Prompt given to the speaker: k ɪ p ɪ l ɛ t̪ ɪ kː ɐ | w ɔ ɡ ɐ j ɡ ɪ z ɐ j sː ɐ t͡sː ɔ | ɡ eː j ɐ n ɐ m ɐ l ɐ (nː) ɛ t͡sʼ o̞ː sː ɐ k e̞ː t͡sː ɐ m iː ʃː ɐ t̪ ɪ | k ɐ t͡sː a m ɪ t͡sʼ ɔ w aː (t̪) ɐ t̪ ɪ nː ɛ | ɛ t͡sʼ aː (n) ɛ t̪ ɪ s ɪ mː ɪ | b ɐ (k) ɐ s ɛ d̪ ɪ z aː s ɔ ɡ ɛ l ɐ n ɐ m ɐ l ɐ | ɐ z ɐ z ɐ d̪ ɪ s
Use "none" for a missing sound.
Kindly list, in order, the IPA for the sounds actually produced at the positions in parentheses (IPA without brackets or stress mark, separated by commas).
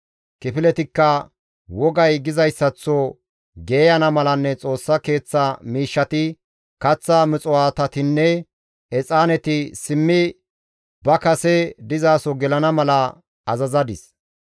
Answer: nː, t̪, n, k